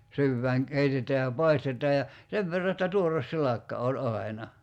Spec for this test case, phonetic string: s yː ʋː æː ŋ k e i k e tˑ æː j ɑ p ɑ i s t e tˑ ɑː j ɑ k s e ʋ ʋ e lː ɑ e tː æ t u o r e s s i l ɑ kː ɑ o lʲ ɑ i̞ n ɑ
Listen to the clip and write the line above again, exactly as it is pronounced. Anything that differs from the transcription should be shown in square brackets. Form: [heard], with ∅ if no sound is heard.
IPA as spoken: s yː ʋː æː ŋ k e i [t] e tˑ æː j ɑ p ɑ i s t e tˑ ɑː j ɑ [∅] s e ʋ ʋ e [rː] ɑ e tː æ t u o r e s s i l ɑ kː ɑ o lʲ ɑ i̞ n ɑ